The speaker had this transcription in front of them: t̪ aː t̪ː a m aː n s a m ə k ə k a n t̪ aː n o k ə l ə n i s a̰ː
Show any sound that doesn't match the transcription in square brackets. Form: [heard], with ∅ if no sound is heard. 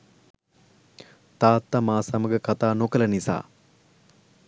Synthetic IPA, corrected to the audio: t̪ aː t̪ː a m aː [∅] s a m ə [ɡ] ə k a [∅] t̪ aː n o k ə l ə n i s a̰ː